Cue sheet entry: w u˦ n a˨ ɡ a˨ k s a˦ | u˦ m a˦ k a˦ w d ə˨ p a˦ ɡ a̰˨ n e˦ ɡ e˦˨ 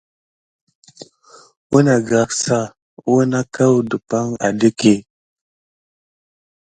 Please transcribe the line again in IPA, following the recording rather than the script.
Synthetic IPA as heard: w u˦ n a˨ ɡ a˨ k s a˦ | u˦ n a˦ k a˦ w d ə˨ p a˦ ŋ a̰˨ d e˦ k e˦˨